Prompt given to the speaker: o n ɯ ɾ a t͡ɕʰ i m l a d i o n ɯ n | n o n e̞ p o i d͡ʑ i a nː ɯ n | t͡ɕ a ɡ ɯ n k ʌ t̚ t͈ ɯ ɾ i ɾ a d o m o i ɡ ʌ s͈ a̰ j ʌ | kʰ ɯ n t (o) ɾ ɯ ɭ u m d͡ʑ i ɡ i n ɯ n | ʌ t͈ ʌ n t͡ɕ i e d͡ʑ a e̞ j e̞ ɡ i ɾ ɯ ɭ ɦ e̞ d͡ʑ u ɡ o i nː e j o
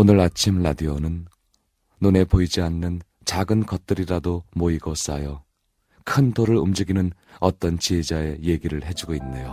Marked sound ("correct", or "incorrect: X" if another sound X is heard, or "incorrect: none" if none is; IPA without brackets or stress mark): correct